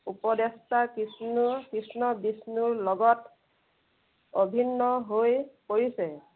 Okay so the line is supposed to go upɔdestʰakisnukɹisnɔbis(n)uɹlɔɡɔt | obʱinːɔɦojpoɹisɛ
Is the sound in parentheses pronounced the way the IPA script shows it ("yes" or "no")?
yes